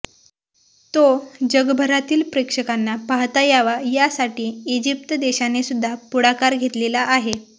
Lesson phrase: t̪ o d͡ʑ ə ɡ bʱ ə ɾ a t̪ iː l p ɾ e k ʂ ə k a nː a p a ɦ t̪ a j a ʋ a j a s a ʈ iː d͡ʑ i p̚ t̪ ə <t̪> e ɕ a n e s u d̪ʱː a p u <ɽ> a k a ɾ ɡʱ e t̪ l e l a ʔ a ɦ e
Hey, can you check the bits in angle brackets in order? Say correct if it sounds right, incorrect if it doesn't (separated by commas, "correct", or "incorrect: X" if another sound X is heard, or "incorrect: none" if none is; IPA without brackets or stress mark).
incorrect: d̪, correct